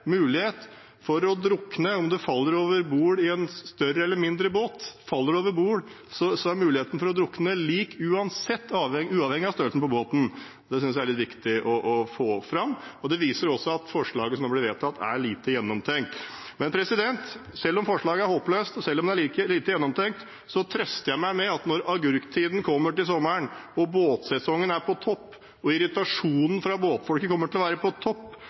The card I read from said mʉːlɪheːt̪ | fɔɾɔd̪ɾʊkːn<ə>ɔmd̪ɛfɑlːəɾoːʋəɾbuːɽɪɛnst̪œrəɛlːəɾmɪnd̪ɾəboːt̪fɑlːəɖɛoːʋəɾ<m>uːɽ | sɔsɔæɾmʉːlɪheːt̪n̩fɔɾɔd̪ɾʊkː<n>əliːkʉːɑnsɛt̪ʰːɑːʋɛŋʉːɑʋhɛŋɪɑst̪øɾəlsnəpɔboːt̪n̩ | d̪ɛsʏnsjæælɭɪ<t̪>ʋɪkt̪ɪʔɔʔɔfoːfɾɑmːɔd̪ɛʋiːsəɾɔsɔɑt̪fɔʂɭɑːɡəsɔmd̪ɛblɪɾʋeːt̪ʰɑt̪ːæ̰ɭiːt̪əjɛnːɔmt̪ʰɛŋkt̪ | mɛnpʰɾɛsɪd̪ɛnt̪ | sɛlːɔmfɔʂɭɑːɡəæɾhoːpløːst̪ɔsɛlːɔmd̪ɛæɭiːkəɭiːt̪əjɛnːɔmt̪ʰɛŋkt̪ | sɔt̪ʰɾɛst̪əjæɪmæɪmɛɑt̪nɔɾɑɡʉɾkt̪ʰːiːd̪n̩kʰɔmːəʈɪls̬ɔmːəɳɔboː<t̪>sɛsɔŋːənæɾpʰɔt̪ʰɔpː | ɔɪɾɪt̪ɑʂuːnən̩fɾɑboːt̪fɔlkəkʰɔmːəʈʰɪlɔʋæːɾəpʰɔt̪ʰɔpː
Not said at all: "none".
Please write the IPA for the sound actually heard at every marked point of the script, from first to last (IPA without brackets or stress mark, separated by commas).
ə, b, n, t̪, t̪